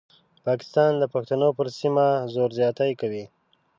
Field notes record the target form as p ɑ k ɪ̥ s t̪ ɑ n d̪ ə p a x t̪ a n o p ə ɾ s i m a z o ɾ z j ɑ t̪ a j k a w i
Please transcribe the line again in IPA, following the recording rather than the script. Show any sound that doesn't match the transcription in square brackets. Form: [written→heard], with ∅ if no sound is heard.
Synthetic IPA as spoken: p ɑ k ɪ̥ s t̪ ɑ n d̪ ə p a x t̪ a n o p ə ɾ s i m a z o ɾ z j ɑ t̪ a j k a w i